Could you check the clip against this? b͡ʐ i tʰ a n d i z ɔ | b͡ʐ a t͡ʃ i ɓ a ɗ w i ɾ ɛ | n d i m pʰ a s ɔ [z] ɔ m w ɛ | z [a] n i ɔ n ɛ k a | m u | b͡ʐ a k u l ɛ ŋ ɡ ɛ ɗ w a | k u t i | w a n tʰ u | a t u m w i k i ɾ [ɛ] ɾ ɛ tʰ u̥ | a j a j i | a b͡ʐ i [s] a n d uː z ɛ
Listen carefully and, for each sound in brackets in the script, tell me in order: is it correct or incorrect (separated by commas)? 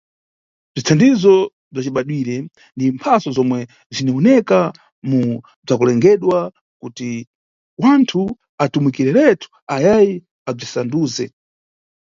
correct, incorrect, correct, correct